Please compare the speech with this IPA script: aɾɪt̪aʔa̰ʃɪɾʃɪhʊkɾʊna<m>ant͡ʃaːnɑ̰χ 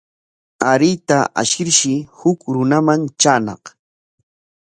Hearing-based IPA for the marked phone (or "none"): m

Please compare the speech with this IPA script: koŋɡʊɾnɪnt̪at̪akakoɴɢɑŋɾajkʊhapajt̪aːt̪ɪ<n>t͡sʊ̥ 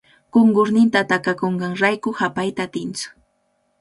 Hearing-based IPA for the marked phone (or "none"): n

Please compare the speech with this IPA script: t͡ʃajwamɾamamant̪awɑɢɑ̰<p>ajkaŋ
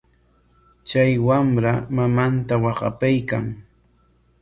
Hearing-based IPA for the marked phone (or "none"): p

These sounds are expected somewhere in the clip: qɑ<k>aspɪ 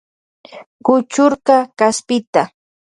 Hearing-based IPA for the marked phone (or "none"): k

